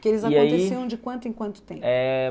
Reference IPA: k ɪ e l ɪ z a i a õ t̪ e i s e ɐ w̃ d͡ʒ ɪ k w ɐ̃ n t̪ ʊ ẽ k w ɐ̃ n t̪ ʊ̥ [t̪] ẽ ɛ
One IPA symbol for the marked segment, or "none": t̪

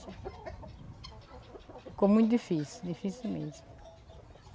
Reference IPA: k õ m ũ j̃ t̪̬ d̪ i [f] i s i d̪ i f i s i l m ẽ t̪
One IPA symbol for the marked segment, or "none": f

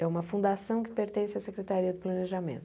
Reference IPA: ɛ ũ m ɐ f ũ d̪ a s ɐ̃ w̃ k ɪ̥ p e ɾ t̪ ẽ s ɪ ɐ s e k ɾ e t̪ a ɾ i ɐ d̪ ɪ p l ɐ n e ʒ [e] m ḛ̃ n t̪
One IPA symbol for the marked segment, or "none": a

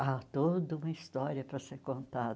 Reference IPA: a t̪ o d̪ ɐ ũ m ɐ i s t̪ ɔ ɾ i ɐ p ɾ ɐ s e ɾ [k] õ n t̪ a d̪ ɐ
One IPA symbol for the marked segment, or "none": k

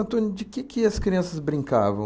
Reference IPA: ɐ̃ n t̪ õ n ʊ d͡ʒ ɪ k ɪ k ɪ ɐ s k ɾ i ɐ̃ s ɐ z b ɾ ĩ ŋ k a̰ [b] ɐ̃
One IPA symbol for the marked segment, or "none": v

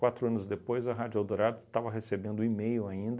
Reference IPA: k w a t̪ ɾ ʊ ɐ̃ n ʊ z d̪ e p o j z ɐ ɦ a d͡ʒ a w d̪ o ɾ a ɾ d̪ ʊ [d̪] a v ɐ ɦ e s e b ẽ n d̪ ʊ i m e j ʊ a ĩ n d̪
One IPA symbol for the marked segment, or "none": t̪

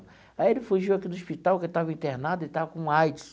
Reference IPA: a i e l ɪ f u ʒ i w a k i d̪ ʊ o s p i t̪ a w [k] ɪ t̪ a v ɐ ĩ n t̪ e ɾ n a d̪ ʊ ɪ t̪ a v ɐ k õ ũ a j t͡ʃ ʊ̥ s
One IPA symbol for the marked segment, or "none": k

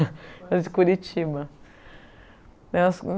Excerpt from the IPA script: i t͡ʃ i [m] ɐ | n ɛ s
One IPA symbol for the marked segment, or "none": b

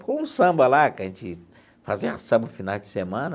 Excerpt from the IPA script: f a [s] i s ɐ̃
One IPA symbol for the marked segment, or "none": z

